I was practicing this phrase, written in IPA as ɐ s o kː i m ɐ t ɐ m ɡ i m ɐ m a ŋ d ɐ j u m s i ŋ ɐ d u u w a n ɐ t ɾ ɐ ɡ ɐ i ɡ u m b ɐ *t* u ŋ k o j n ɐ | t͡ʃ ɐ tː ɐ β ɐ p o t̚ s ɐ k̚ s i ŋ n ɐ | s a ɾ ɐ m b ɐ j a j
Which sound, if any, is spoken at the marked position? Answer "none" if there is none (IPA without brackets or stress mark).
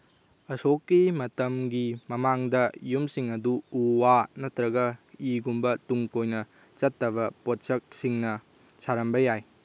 t